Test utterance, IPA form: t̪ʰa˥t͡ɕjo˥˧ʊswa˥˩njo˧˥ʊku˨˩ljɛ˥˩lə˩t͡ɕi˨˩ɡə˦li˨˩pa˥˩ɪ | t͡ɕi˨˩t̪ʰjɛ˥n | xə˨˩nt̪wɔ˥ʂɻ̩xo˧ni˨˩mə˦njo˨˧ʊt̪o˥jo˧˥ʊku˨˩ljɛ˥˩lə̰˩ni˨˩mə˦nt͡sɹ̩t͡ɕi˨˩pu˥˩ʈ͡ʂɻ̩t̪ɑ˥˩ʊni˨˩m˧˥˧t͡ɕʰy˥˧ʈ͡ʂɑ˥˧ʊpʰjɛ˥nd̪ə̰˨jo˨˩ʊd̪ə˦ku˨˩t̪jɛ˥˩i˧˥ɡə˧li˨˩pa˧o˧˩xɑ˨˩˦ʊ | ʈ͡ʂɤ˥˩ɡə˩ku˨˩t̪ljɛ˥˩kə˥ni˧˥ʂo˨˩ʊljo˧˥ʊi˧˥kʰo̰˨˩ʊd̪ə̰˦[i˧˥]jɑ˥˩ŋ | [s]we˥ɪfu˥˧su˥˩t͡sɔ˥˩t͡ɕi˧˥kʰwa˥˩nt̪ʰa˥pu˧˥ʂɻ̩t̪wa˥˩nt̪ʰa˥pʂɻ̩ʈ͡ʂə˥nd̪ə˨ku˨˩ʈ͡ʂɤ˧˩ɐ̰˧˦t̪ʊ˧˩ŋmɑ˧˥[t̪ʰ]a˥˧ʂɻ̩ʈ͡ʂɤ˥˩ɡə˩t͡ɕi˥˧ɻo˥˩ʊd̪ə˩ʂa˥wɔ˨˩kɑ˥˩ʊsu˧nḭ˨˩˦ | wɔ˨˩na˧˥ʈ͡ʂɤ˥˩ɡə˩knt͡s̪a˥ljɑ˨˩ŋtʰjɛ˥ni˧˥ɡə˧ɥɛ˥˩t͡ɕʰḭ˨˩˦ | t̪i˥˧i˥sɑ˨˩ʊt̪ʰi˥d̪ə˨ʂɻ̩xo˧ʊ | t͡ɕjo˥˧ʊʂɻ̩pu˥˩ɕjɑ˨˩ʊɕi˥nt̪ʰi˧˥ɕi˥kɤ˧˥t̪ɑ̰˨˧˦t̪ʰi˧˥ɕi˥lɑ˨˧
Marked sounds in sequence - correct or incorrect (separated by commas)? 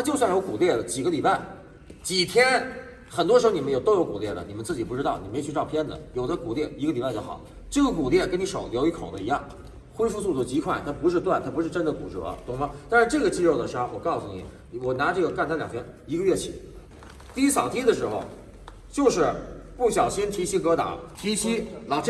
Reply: correct, incorrect, incorrect